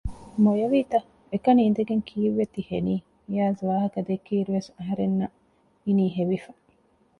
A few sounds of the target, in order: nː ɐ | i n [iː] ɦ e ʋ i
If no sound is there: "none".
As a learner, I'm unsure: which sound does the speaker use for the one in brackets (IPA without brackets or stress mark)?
iː